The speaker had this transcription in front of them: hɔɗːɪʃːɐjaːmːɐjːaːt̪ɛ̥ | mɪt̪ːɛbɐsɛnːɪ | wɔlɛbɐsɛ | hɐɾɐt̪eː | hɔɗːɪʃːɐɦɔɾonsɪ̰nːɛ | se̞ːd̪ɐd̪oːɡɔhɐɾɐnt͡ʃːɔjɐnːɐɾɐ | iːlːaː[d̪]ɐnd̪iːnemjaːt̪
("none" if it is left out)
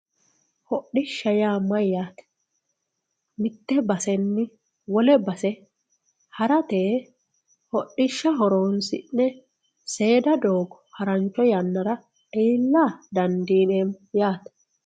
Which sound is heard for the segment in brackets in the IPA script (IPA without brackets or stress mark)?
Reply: d̪